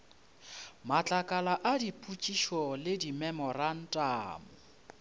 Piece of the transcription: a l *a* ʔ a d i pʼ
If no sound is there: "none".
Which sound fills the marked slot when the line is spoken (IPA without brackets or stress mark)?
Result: a